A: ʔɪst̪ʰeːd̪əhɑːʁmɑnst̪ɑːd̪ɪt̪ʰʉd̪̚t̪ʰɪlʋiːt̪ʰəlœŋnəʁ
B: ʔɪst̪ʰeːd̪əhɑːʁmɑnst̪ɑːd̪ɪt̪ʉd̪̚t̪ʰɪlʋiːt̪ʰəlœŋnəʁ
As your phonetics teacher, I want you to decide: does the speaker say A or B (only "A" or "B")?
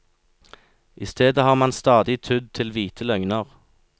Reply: A